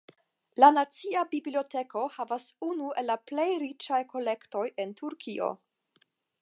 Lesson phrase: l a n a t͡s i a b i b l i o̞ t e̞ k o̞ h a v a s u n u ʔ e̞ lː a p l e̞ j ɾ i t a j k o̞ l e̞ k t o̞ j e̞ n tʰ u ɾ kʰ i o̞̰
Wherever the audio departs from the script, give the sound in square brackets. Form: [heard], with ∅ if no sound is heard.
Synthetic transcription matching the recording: l a n a t͡s i a b i b l i o̞ t e̞ k o̞ h a v a s u n u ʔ e̞ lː a p l e̞ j ɾ i [t͡ʃ] a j k o̞ l e̞ k t o̞ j e̞ n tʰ u ɾ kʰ i o̞̰